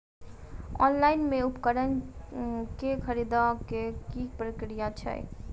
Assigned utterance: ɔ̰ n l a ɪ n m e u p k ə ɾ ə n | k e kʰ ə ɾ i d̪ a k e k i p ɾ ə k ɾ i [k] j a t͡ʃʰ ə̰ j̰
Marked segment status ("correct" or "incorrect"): incorrect